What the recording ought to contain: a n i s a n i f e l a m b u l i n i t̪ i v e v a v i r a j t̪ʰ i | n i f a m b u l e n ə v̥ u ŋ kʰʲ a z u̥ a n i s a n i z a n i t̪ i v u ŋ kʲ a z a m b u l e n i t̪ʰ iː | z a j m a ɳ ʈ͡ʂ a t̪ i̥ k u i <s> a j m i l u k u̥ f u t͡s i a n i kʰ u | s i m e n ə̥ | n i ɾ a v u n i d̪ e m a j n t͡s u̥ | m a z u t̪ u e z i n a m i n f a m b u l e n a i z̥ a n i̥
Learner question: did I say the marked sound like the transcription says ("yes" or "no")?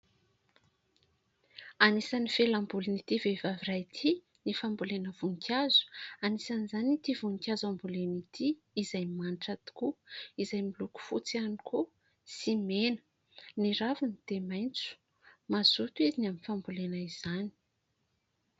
no